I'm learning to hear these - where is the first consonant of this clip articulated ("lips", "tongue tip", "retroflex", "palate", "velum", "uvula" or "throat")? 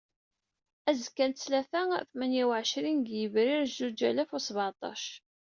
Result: tongue tip